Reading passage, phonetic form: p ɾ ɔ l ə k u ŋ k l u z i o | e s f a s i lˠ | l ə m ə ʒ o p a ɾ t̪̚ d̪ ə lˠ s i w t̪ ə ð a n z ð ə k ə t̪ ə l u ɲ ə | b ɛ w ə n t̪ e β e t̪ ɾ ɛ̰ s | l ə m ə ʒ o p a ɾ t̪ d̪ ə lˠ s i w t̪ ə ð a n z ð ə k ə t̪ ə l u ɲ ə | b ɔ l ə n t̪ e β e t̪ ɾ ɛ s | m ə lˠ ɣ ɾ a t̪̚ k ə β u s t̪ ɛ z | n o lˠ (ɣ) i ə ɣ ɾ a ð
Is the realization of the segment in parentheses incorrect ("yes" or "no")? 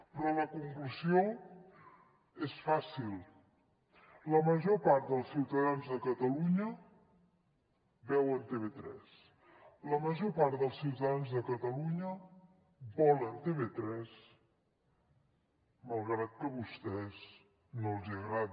yes